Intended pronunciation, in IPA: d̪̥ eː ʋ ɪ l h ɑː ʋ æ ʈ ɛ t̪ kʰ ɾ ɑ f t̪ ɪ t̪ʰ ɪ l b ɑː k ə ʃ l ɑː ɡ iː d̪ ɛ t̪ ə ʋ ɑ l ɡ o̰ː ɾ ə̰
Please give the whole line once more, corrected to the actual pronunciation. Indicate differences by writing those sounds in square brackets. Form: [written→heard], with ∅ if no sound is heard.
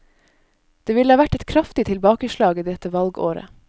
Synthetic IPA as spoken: d̪̥ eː ʋ ɪ l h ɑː ʋ æ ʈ ɛ t̪ kʰ ɾ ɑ f t̪ ɪ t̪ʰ ɪ l b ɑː k ə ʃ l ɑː ɡ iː d̪ ɛ t̪ ə ʋ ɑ l ɡ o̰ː ɾ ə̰